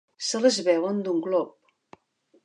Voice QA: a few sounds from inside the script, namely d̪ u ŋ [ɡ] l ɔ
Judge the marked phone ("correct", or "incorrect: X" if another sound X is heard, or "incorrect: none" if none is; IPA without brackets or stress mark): correct